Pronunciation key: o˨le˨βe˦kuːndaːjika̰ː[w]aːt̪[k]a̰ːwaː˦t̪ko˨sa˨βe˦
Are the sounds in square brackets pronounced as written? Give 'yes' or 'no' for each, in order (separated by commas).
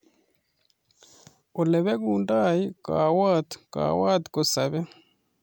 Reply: yes, yes